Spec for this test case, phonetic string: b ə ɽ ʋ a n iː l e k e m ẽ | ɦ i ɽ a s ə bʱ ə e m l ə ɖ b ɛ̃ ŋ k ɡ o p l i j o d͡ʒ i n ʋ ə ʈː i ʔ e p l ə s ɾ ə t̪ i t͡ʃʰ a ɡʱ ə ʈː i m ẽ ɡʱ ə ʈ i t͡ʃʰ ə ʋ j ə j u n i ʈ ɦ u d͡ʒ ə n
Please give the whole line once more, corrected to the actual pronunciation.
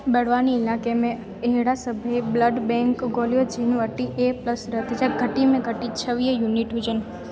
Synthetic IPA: b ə ɽ ʋ a n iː l a k e m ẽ | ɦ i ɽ a s ə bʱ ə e b l ə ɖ b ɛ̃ ŋ k ɡ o l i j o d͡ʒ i n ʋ ə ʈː i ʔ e p l ə s ɾ ə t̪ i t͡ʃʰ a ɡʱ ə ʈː i m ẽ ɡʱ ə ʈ i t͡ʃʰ ə ʋ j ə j u n i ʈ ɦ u d͡ʒ ə n